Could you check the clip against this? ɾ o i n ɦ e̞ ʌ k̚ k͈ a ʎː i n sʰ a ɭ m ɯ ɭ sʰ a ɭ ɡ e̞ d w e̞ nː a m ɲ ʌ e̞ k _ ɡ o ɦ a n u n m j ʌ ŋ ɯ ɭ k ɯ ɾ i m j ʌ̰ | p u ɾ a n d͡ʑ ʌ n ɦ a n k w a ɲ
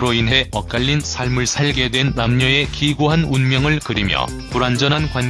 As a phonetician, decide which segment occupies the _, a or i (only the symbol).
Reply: i